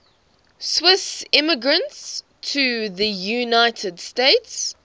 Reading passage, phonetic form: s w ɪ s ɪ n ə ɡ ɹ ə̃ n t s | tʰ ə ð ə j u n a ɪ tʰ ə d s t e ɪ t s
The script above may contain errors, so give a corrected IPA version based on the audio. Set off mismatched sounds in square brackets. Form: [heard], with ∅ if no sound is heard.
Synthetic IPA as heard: s w ɪ s ɪ [m] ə ɡ ɹ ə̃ n t s | tʰ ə ð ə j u n a ɪ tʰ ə d s t e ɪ t s